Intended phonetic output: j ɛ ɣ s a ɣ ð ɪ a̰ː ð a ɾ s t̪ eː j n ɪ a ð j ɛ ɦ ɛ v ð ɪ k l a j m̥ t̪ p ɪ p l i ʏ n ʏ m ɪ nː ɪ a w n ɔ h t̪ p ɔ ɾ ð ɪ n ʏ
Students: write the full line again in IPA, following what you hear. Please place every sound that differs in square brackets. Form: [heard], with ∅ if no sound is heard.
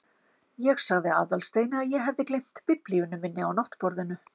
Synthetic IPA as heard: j ɛ ɣ s a ɣ ð ɪ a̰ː ð a [l] s t̪ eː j n ɪ a ð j ɛ ɦ ɛ v ð ɪ k l [e] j m̥ t̪ p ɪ p l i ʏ n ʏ m ɪ nː ɪ a w n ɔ h t̪ p ɔ ɾ ð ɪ n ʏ